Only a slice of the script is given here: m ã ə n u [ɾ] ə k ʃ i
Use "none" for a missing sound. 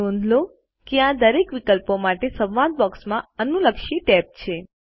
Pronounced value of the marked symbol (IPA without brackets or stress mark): l